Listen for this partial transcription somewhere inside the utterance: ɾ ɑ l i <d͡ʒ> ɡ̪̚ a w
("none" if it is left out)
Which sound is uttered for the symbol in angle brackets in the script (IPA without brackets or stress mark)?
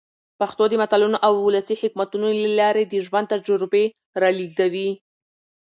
none